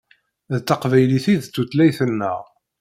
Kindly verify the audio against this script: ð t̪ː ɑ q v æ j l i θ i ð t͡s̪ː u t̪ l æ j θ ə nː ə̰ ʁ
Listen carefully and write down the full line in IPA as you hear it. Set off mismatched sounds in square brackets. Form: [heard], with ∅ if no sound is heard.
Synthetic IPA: ð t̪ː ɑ q v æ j l i θ i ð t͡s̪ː u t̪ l æ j θ ə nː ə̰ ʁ